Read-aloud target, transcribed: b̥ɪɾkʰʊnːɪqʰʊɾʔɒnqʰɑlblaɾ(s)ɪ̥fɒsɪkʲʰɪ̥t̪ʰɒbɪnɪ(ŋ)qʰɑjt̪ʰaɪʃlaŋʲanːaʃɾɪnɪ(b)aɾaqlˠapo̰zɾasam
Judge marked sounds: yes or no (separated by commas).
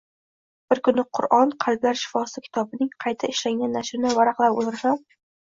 no, yes, no